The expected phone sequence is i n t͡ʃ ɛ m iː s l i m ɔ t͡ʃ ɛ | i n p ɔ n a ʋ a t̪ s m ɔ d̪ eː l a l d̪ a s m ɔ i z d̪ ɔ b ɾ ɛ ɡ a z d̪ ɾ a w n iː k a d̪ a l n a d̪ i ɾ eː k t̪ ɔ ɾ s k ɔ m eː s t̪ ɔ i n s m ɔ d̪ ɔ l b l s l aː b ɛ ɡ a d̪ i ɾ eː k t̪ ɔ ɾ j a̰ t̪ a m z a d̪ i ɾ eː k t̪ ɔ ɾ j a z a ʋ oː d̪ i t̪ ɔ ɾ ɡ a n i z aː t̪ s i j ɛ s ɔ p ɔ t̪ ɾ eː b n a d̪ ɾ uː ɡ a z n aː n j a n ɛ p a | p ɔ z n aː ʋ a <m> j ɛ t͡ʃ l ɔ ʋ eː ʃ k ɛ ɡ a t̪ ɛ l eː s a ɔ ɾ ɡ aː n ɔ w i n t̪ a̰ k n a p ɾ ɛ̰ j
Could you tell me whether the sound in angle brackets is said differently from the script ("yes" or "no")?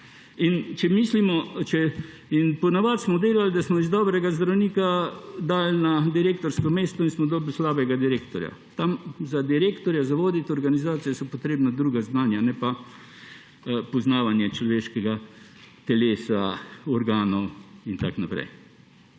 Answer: yes